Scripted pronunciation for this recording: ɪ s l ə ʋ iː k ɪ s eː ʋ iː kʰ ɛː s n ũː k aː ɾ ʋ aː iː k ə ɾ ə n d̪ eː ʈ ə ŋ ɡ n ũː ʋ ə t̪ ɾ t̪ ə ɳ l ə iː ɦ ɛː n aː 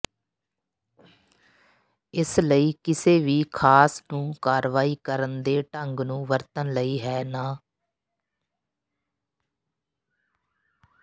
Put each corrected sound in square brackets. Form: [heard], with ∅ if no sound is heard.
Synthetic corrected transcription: ɪ s l ə [∅] iː k ɪ s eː ʋ iː kʰ [aː] s n ũː k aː ɾ ʋ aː iː k ə ɾ ə n d̪ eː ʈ ə ŋ ɡ n ũː ʋ ə [∅] ɾ t̪ ə [n] l ə iː ɦ ɛː n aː